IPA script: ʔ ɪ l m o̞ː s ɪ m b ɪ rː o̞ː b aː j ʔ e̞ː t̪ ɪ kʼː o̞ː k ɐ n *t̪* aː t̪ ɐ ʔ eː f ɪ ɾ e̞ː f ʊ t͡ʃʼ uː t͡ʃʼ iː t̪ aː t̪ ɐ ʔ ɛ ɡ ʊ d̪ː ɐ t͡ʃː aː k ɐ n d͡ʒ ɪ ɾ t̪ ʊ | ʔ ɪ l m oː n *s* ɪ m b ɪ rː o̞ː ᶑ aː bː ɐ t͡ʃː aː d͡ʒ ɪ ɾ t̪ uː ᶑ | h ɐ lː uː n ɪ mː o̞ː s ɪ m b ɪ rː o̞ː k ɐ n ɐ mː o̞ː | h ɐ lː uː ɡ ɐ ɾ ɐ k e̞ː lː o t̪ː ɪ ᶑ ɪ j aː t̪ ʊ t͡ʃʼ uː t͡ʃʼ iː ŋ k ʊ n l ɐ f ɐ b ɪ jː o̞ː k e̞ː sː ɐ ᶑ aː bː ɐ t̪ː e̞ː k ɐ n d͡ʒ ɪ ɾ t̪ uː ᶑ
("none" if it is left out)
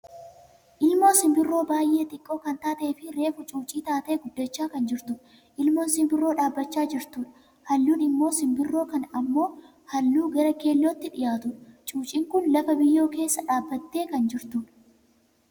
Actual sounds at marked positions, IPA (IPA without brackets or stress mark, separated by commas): t̪, s